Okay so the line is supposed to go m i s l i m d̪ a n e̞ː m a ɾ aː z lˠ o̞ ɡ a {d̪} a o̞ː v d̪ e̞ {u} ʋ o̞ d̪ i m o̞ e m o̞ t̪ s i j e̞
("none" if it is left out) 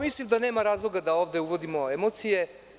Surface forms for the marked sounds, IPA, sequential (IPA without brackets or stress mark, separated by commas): d̪, u